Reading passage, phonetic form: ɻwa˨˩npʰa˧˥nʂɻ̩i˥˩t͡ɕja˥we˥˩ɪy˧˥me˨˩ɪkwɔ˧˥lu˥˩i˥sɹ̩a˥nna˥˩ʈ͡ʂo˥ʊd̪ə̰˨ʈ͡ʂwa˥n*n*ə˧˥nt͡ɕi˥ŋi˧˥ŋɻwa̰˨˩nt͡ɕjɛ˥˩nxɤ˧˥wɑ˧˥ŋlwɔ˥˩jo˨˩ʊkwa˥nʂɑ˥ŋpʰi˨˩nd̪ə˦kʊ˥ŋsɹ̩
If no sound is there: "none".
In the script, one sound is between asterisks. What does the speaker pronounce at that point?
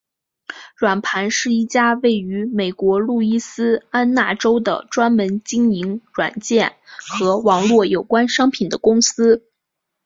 m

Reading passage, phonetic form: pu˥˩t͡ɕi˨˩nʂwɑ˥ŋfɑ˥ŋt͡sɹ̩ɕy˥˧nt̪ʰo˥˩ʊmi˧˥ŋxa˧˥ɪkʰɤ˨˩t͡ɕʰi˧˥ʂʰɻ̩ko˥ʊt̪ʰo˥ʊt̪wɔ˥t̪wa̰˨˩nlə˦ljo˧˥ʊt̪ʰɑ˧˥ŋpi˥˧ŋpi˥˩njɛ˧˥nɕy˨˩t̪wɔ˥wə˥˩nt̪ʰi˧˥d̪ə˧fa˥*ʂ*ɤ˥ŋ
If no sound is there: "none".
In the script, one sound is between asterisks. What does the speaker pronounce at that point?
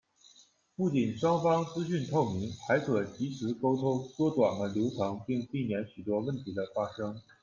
ʂ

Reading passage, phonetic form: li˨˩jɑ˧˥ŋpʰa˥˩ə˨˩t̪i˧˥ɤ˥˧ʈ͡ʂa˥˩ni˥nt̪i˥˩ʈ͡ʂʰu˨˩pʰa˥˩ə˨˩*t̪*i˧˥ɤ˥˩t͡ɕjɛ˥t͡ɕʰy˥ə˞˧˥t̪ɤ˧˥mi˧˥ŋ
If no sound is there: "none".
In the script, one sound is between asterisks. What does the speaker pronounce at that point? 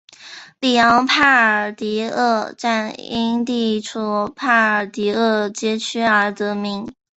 t̪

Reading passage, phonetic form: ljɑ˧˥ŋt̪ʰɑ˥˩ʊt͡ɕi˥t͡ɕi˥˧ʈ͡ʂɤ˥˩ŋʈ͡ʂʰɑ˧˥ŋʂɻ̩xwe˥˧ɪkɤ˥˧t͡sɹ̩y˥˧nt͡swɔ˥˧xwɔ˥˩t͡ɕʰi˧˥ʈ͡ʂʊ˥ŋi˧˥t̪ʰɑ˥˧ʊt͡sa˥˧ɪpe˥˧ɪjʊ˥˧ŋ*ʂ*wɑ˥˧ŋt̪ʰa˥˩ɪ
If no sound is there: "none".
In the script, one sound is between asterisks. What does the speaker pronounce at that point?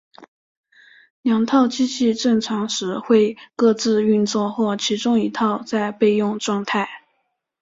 ʈ͡ʂ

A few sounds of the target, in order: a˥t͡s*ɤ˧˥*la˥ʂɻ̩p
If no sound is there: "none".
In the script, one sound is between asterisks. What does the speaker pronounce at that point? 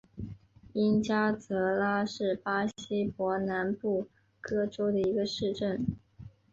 ɤ˧˥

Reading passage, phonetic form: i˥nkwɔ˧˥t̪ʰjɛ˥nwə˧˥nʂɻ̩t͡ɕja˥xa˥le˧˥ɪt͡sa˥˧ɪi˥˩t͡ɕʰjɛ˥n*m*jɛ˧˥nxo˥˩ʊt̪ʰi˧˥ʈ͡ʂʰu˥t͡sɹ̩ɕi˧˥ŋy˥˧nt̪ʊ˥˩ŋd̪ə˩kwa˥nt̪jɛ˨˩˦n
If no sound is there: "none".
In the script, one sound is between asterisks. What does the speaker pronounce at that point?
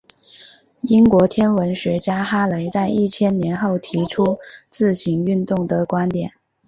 n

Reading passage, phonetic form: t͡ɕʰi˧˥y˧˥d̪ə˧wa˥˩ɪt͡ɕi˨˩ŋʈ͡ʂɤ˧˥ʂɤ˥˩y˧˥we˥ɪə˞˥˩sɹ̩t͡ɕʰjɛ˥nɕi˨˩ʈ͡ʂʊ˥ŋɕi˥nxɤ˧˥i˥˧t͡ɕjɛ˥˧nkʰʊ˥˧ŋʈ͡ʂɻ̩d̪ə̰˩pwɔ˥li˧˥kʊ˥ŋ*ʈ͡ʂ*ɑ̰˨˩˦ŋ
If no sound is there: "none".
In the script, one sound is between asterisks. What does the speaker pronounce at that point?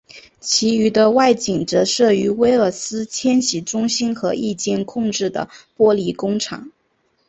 ʈ͡ʂʰ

